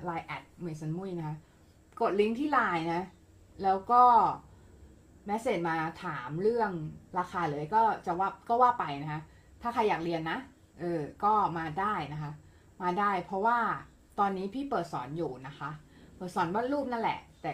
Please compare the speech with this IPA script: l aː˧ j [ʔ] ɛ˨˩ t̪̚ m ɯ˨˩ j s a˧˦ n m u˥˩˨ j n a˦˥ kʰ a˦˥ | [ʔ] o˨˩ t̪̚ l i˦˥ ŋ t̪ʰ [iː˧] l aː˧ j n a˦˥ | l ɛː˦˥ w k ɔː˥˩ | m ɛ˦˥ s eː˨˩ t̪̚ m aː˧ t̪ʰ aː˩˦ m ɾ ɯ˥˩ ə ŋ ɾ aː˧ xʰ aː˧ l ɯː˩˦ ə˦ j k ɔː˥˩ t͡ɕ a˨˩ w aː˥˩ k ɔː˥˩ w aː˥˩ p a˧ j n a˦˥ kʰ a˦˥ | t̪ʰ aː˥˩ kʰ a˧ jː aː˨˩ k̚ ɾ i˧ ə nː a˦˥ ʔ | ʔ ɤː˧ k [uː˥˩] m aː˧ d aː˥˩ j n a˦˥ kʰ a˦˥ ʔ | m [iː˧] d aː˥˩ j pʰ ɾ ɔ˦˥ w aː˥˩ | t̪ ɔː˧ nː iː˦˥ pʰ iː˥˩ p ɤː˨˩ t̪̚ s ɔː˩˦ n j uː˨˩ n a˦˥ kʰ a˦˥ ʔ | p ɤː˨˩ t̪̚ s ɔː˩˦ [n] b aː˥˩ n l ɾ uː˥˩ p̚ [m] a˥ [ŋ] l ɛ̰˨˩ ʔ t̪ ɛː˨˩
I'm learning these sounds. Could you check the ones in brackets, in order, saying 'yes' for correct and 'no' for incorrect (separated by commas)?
yes, no, no, no, no, yes, no, no